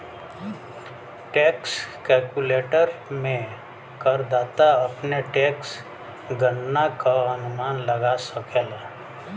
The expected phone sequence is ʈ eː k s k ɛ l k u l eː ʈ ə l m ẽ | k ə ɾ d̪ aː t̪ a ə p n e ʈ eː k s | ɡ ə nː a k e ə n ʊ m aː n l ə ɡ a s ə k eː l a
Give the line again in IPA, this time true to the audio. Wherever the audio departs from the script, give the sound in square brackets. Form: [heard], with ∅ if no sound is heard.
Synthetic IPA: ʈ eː k s k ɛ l k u l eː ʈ ə [ɾ] m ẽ | k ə ɾ d̪ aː t̪ a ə p n e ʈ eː k s | ɡ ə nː a k [a] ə n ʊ m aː n l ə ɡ a s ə k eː l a